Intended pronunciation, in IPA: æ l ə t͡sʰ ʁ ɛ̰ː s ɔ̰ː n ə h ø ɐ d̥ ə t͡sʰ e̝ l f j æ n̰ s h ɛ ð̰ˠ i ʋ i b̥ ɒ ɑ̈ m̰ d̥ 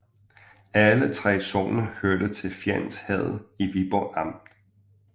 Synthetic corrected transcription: æ l ə t͡sʰ ʁ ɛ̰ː s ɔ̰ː n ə h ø ɐ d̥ ə t͡sʰ e̝ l f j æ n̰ s h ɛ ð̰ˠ i ʋ i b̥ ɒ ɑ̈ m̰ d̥